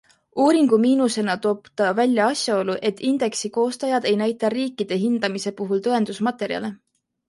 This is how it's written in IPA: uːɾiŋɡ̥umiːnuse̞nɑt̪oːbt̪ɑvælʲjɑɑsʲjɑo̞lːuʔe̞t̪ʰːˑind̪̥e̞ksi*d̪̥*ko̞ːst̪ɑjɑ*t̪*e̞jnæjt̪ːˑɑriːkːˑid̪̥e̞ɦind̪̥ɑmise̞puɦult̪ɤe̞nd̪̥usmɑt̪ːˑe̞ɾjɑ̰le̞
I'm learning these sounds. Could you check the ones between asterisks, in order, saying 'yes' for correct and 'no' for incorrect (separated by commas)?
no, no